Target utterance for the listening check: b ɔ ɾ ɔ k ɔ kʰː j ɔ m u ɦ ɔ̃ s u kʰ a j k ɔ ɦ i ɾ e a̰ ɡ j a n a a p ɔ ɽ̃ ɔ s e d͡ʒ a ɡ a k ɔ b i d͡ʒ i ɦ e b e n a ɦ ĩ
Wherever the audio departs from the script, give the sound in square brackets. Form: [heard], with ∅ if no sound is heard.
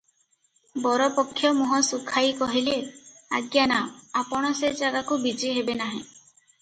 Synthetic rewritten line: b ɔ ɾ ɔ [p] ɔ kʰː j ɔ m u ɦ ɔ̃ s u kʰ a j k ɔ ɦ i [l] e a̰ ɡ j a n a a p ɔ ɽ̃ ɔ s e d͡ʒ a ɡ a k [u] b i d͡ʒ i ɦ e b e n a ɦ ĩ